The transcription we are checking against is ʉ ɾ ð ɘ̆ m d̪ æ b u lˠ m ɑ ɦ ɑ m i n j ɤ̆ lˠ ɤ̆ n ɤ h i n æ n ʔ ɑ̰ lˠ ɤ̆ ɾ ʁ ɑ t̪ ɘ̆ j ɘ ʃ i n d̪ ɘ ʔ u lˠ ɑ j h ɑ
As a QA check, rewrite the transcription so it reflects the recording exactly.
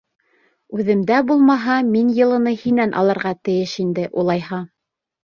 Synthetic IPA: ʉ ð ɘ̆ m d̪ æ b u lˠ m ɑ ɦ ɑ m i n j ɤ̆ lˠ ɤ̆ n ɤ h i n æ n ʔ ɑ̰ lˠ ɤ̆ ɾ ʁ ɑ t̪ ɘ̆ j ɘ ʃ i n d̪ ɘ ʔ u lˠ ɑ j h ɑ